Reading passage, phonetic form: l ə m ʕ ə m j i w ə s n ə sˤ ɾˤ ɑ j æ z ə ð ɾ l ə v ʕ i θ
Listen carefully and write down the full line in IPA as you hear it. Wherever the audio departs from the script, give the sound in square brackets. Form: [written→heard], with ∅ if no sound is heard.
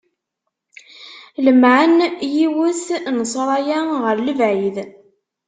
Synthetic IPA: l ə m ʕ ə [m→n] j i w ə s n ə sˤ ɾˤ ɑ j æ [z→ʁ] ə [ð→∅] ɾ l ə v ʕ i [θ→ð]

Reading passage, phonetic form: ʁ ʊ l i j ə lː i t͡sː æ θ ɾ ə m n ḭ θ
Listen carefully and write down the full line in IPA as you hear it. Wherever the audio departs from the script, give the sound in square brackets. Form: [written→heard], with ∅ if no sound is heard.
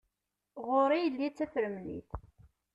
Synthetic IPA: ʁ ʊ [l→ɾ] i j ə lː i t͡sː æ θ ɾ ə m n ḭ θ

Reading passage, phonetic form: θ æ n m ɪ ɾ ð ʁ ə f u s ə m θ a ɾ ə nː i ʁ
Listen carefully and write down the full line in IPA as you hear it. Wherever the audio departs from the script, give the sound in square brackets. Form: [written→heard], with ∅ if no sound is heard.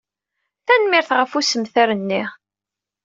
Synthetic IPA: θ æ n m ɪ ɾ [ð→θ] ʁ ə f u s ə m θ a ɾ ə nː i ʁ

